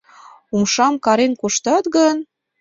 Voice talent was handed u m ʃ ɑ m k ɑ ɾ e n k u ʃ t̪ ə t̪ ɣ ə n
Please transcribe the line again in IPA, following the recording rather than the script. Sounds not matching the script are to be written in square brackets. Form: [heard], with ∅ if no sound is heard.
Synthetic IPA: u m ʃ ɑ m k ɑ ɾ e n k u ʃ t̪ [ɑ] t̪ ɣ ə n